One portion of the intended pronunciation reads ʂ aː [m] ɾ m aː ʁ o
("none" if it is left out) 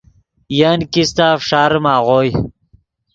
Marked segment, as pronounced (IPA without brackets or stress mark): none